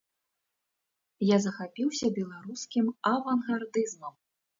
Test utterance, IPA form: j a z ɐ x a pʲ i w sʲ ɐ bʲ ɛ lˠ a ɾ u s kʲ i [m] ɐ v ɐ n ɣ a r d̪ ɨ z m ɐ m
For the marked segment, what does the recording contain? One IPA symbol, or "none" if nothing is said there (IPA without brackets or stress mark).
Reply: m